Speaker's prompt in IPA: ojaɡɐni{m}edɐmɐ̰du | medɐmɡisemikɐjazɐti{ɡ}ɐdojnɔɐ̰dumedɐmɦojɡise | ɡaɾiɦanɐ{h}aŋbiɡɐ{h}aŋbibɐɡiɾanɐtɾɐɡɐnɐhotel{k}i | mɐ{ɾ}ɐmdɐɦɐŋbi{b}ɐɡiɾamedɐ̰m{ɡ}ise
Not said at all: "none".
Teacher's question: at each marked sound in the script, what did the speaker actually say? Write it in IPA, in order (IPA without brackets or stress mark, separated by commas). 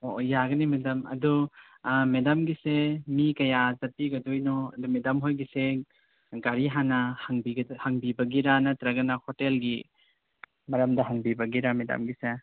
m, ɡ, h, h, ɡ, ɾ, b, ɡ